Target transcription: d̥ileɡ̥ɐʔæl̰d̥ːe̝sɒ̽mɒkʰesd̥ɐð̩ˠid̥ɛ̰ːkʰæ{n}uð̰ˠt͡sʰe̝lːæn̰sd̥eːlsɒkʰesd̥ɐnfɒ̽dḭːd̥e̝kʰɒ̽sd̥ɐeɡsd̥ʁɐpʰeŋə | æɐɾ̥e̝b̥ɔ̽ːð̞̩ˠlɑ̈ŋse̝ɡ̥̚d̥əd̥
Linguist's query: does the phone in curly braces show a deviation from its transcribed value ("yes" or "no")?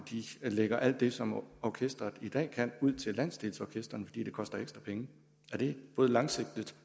no